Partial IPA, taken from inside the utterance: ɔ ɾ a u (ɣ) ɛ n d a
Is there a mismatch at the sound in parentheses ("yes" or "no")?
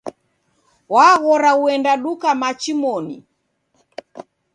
yes